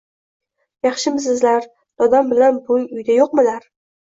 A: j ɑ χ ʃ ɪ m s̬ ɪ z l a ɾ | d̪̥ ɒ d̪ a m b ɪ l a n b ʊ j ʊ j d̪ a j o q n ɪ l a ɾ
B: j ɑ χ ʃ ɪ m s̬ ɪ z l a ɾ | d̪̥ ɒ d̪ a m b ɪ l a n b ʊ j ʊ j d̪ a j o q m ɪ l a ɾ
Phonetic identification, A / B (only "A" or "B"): B